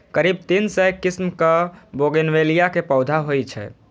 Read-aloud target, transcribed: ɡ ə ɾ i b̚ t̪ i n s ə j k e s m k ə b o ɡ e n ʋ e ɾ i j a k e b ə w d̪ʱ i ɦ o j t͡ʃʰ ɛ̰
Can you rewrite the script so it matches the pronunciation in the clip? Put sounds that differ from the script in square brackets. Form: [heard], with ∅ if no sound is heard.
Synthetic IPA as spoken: [k] ə ɾ i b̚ t̪ i n s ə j k [i] s m k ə b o ɡ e n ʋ e [l] i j a k e [p] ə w d̪ʱ [a] ɦ o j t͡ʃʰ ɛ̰